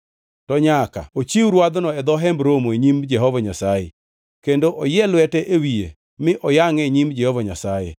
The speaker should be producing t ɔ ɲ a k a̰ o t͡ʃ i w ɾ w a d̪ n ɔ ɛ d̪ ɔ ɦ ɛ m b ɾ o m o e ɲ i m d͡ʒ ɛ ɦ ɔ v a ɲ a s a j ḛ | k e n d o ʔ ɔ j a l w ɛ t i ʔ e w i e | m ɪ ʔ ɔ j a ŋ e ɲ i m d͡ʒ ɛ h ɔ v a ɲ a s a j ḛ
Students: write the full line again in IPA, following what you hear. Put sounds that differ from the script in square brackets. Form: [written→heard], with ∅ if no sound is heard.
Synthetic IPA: t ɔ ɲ a k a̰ o t͡ʃ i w ɾ w a d̪ n ɔ ɛ d̪ ɔ ɦ ɛ m b ɾ o m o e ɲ i m d͡ʒ ɛ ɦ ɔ v a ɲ a s a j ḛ | k e n d o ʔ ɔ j [a→ɛ] l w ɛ t [i→ɛ] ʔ e w i e | m ɪ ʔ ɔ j a ŋ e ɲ i m d͡ʒ ɛ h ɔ v a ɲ a s a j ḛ